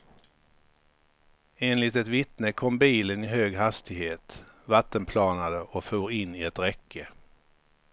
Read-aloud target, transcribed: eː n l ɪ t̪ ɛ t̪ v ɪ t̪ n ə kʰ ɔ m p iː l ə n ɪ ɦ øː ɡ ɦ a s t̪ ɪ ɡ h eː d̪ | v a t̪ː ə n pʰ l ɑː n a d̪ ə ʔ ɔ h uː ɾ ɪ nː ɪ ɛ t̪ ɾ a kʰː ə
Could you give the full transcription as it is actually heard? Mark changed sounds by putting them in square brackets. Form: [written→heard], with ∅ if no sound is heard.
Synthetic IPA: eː n l ɪ t̪ ɛ t̪ v ɪ t̪ n ə kʰ ɔ m [p→b] iː l ə n ɪ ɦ øː ɡ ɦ a s t̪ ɪ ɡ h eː [d̪→t̪] | v a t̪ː ə n pʰ l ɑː n a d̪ ə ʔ ɔ [h→f] uː ɾ ɪ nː ɪ ɛ t̪ ɾ [a→ɛ] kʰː ə